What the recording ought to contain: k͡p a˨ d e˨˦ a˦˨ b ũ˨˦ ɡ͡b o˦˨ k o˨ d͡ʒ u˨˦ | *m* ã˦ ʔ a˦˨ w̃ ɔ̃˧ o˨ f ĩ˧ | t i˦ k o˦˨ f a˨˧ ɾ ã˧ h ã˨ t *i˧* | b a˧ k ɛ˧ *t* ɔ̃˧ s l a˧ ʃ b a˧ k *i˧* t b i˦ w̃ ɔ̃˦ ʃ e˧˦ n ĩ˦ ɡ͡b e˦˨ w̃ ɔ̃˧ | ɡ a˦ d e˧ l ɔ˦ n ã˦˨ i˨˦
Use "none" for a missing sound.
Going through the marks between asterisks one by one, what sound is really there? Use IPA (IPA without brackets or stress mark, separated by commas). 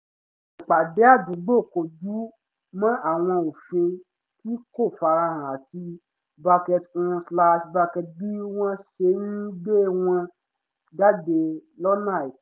m, i˧, t, ɛ˧